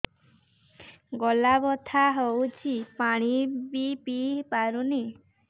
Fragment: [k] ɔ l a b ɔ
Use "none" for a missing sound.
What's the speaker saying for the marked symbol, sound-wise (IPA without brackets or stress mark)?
ɡ